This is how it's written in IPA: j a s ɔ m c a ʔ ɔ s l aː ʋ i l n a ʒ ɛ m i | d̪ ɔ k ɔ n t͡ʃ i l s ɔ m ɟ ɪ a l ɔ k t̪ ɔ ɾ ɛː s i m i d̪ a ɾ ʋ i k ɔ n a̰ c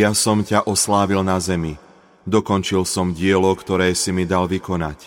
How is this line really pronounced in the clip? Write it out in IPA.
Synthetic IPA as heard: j a s ɔ m c a ʔ ɔ s l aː ʋ i l n a z ɛ m i | d̪ ɔ k ɔ n t͡ʃ i l s ɔ m ɟ ɪ ɛ l ɔ k t̪ ɔ ɾ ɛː s i m i d̪ a l ʋ i k ɔ n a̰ c